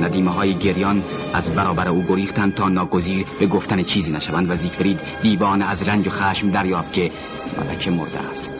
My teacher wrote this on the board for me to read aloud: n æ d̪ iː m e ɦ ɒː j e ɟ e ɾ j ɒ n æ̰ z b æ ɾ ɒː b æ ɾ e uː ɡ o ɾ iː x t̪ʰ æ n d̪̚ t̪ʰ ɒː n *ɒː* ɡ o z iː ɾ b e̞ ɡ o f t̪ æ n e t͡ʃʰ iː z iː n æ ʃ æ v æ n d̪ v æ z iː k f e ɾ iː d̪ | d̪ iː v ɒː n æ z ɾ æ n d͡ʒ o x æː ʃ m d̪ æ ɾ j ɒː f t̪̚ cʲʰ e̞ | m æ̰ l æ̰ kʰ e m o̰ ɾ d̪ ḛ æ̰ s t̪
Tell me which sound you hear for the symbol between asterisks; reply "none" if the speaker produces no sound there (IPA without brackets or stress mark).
ɒː